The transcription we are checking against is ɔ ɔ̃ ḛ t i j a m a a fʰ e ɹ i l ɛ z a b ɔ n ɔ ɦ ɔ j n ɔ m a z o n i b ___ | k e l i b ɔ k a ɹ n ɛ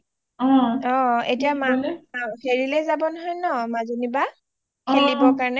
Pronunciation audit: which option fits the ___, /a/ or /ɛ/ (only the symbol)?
a